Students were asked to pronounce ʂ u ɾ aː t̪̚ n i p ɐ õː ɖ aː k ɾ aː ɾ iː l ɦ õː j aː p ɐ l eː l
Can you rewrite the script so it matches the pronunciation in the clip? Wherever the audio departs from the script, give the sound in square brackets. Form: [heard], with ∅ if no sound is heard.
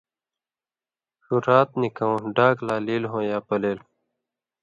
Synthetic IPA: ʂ u ɾ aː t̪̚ n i [k] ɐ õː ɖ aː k [l] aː [l] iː l ɦ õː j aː p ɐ l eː l